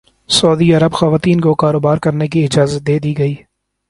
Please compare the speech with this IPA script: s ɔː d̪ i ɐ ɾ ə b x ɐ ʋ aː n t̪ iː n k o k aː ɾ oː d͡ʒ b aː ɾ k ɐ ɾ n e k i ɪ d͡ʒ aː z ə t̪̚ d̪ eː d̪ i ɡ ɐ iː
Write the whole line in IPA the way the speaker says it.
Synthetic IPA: s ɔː d̪ i ɐ ɾ ə b x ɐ ʋ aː t̪ iː n k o k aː ɾ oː b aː ɾ k ɐ ɾ n e k i ɪ d͡ʒ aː z ə t̪̚ d̪ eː d̪ i ɡ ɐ iː